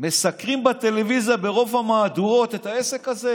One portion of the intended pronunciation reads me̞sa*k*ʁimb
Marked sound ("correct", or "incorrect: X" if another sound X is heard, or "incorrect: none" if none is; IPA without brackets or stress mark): correct